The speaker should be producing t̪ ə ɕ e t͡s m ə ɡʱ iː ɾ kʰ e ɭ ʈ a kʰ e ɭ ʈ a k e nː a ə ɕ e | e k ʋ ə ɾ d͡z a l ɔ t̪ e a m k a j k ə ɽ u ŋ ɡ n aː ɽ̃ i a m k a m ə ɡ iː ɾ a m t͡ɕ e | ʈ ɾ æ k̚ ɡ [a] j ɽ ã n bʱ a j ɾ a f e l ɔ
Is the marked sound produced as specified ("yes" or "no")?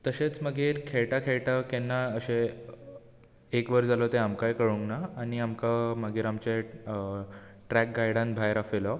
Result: yes